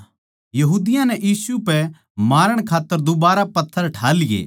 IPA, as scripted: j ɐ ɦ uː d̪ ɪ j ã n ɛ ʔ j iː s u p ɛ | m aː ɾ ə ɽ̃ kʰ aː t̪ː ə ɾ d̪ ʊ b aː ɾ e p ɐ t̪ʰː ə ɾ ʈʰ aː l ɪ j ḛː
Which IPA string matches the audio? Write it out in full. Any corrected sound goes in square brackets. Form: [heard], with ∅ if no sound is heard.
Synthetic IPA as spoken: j ɐ ɦ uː d̪ ɪ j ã n ɛ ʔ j iː s u p ɛ | m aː ɾ ə ɽ̃ kʰ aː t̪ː ə ɾ d̪ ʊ b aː ɾ [a] p ɐ t̪ʰː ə ɾ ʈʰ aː l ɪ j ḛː